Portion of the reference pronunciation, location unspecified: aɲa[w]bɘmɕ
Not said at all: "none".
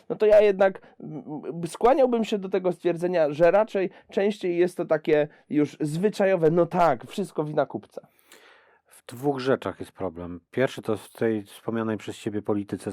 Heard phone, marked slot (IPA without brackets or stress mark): w